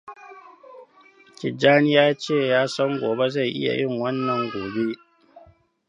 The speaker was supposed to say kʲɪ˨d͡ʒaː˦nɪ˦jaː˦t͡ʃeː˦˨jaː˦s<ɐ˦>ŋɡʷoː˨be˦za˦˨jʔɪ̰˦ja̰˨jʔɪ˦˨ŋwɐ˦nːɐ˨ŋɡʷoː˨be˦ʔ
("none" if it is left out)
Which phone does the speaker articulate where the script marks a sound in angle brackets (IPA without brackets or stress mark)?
ɐ˦